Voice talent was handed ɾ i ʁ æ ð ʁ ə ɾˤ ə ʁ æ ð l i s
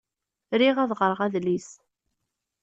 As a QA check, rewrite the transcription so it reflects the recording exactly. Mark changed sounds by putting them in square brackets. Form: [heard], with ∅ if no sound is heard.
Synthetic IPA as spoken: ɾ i ʁ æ ð ʁ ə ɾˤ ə ʁ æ ð l i s